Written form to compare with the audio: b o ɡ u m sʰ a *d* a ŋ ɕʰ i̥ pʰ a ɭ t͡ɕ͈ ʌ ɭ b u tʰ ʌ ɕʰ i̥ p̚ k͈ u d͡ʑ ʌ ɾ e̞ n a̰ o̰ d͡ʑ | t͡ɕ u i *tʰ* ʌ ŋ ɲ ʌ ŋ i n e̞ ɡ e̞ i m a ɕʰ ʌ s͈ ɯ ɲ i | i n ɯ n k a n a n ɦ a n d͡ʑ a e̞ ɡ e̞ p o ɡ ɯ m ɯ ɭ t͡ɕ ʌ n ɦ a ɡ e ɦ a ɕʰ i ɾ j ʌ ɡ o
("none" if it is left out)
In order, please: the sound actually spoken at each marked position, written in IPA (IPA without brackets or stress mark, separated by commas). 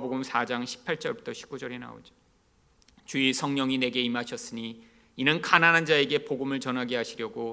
d͡ʑ, sʰ